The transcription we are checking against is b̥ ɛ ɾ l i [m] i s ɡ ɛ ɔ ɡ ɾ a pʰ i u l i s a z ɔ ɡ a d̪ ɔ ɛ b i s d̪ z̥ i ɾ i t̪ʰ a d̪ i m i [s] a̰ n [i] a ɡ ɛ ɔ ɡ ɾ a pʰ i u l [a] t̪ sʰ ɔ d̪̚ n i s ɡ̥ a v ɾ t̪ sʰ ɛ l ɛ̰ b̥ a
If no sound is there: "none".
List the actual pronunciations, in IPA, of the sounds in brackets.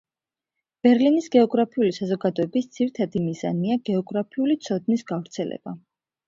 n, z, i, i

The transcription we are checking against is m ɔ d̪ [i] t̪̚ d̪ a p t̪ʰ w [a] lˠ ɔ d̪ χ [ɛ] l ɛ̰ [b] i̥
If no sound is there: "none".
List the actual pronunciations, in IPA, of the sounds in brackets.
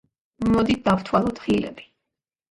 i, a, i, b

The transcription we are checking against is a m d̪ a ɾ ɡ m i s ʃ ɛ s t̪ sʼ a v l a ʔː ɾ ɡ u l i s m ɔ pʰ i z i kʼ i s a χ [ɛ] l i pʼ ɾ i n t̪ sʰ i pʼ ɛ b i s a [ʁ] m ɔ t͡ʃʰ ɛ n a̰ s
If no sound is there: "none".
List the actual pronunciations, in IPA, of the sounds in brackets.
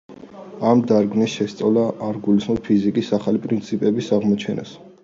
a, ʁ

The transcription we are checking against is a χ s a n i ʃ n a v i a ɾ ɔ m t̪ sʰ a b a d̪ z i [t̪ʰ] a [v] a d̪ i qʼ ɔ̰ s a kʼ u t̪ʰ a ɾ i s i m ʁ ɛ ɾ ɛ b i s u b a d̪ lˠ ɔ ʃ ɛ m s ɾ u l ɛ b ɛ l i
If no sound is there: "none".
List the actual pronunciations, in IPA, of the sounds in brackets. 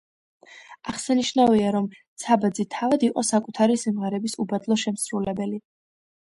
t̪ʰ, v

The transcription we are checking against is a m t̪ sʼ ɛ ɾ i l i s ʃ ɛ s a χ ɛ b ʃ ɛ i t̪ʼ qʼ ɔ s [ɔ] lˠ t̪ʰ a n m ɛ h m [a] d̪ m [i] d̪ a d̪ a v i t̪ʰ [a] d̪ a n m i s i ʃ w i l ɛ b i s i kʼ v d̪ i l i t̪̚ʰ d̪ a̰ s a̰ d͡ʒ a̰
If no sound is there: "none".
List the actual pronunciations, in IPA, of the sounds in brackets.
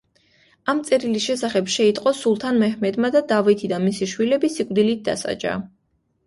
u, ɛ, a, i

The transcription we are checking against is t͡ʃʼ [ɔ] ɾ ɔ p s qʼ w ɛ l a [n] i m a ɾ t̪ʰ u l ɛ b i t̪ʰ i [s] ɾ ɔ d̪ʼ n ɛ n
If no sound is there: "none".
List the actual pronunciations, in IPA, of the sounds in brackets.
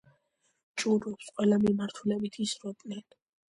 u, m, s

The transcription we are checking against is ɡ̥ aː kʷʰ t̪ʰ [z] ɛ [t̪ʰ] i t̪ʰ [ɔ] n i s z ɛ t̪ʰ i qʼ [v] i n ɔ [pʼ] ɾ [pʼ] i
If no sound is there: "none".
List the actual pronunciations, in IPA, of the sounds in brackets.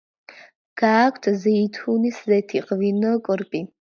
z, none, u, v, kʼ, pʼ

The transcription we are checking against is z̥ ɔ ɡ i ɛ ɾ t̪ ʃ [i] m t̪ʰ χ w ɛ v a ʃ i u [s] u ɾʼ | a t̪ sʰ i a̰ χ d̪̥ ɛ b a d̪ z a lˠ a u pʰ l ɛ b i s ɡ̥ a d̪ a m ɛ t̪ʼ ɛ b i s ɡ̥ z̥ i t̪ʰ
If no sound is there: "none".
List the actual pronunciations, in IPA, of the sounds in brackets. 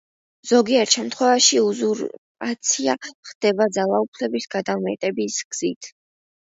ɛ, z

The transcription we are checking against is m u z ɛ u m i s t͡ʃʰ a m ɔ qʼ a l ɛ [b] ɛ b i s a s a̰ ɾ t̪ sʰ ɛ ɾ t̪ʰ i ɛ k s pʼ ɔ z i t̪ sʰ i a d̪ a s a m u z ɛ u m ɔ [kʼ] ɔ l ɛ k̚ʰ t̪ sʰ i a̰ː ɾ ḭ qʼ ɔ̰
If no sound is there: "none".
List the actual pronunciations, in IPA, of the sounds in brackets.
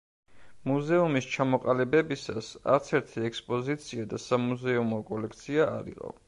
b, kʼ

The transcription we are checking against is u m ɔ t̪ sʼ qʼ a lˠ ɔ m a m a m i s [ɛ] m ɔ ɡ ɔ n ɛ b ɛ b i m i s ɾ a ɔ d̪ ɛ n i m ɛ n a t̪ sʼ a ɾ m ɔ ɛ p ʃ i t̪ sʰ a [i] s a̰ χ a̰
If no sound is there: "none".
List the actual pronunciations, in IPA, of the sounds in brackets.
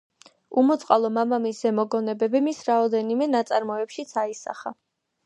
ɛ, i

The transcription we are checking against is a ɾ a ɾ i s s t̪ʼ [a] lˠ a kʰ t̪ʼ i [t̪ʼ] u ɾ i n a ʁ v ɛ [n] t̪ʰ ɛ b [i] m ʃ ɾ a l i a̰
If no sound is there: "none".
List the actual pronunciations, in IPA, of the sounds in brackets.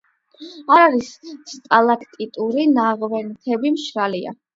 a, t̪ʼ, n, i

